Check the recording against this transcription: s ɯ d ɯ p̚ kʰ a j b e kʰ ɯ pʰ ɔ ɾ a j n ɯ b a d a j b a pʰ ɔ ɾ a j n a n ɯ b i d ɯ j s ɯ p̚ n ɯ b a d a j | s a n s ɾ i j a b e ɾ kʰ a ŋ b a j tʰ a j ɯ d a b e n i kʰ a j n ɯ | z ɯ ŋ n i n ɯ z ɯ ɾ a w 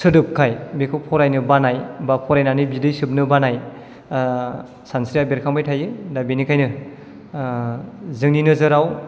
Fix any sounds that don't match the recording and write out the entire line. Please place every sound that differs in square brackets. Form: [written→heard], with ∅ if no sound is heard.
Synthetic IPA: s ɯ d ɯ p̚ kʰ a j b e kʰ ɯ pʰ ɔ ɾ a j n ɯ b a [d→n] a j b a pʰ ɔ ɾ a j n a n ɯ b i d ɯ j s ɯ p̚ n ɯ b a [d→n] a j | s a n s ɾ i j a b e ɾ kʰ a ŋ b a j tʰ a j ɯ d a b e n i kʰ a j n ɯ | z ɯ ŋ n i n ɯ z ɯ ɾ a w